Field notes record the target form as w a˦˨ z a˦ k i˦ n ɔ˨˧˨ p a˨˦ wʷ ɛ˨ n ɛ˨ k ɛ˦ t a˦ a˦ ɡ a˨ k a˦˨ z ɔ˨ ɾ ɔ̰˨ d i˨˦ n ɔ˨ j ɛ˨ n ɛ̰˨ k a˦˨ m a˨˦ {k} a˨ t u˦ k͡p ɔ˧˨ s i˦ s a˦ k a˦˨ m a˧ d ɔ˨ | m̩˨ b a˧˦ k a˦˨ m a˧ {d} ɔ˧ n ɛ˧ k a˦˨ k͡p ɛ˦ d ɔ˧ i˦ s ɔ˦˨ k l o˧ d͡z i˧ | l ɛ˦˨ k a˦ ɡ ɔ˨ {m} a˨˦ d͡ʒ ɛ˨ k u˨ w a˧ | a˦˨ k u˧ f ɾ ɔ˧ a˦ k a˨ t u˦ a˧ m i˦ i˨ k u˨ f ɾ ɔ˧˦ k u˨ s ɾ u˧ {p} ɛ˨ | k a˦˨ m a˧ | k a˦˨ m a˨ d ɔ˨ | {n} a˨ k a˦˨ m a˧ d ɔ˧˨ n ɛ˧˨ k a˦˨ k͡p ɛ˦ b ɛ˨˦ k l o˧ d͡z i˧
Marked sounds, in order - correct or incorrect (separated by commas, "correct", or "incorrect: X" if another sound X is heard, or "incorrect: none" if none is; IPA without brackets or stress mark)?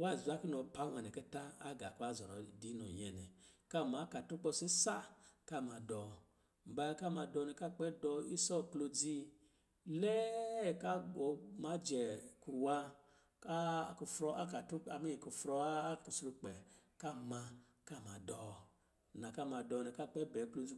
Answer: correct, correct, correct, incorrect: k͡p, correct